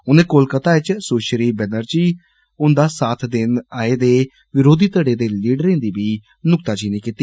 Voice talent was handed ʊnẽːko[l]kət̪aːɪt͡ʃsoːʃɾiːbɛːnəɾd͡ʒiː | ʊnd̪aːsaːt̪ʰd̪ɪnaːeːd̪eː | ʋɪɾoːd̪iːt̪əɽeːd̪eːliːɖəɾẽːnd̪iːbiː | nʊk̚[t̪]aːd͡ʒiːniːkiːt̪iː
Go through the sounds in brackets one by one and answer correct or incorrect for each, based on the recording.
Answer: correct, correct

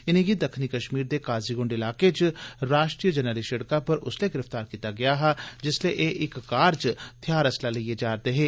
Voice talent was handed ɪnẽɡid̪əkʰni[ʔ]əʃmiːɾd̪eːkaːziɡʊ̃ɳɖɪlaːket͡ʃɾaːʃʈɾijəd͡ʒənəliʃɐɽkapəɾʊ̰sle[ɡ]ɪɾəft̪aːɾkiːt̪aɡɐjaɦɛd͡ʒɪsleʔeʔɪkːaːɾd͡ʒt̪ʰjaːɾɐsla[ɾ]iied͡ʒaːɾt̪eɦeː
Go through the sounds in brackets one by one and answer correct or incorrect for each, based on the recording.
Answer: incorrect: k, correct, incorrect: l

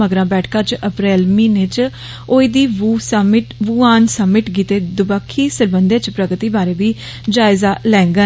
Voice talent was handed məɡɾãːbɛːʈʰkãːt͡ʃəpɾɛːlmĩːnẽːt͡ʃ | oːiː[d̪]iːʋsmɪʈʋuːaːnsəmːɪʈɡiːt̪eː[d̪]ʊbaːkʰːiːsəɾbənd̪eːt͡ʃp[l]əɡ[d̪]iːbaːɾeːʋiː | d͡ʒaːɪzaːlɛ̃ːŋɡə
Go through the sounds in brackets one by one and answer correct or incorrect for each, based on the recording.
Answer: correct, correct, incorrect: ɾ, incorrect: t̪

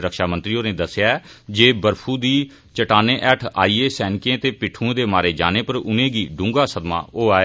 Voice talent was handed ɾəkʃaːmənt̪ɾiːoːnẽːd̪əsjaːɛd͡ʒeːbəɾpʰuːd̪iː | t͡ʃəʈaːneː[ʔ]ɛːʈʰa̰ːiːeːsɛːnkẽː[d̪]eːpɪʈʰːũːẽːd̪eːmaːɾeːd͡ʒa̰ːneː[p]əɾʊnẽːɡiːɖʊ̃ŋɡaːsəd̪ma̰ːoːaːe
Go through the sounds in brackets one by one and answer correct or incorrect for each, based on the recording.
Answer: correct, incorrect: t̪, correct

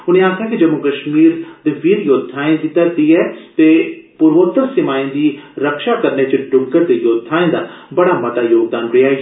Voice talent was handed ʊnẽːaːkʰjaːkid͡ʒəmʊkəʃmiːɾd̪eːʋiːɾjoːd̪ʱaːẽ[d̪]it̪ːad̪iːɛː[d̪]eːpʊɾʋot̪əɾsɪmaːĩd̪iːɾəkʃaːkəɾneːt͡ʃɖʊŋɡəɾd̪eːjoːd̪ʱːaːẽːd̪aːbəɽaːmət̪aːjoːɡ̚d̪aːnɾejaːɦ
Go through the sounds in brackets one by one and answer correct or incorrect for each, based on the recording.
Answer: correct, incorrect: t̪

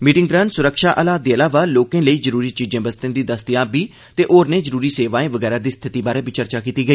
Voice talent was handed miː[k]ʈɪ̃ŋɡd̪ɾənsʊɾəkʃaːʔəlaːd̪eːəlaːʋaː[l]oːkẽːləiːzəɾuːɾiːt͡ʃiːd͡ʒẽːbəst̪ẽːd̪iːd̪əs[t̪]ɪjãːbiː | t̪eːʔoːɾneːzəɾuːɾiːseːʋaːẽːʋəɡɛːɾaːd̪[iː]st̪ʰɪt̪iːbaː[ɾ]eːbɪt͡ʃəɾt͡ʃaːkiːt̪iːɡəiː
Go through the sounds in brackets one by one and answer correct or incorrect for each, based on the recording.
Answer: incorrect: none, correct, correct, correct, correct

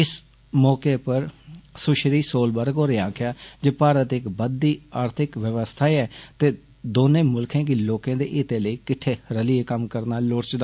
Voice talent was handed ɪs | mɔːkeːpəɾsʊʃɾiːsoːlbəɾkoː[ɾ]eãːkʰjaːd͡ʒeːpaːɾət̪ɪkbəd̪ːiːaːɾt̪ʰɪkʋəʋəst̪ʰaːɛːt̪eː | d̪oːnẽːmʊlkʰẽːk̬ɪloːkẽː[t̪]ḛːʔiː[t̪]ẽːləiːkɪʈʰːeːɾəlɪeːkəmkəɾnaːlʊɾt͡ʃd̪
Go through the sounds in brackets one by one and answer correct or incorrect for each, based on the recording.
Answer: correct, incorrect: d̪, correct

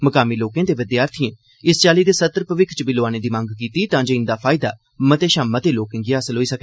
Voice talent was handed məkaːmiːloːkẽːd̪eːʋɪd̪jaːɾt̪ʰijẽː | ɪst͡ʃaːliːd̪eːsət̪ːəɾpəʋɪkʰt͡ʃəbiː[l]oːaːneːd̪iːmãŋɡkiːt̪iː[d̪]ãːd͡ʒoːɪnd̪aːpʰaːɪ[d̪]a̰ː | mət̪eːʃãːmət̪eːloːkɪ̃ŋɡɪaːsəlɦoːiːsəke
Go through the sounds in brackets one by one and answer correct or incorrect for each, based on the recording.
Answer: correct, incorrect: t̪, correct

